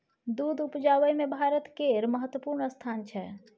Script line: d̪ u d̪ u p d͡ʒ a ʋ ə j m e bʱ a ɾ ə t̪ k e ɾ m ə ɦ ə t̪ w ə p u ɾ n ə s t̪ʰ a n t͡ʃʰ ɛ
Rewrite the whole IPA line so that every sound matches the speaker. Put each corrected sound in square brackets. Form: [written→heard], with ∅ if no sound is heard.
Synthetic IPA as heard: d̪ u d̪ u p d͡ʒ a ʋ ə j m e bʱ a ɾ ə t̪ k e ɾ m ə ɦ ə t̪ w ə p u ɾ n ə s t̪ʰ a n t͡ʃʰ ɛ